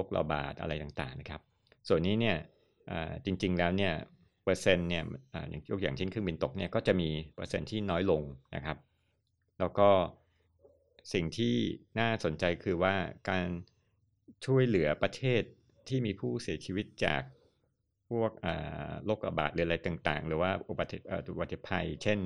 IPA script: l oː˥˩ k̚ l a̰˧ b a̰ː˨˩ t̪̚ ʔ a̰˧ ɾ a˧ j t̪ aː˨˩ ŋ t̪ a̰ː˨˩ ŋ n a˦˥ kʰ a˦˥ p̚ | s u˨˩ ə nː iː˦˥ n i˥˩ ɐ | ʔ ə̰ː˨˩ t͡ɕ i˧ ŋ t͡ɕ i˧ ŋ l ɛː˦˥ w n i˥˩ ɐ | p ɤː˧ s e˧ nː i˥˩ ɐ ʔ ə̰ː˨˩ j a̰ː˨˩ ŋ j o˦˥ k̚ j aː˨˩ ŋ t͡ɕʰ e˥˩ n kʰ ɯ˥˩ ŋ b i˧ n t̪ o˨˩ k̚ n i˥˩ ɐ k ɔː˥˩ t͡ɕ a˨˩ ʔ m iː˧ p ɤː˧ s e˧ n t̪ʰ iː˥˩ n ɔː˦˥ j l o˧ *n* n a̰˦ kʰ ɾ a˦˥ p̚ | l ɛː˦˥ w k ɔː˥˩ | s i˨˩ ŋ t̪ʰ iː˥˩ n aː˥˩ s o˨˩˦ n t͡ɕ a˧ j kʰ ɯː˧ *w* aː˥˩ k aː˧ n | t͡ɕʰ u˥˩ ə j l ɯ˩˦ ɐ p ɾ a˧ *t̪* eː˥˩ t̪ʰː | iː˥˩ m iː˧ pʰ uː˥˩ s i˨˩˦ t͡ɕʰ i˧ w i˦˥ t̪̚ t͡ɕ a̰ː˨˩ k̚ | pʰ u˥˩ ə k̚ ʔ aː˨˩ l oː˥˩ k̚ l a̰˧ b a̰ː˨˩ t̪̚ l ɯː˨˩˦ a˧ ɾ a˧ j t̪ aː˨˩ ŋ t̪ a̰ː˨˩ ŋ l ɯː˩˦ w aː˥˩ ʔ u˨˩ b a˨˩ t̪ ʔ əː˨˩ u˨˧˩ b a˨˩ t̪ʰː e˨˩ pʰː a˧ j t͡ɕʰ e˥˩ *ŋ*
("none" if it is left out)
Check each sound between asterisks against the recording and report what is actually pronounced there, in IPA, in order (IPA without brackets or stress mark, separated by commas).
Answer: ŋ, w, t̪ʰ, n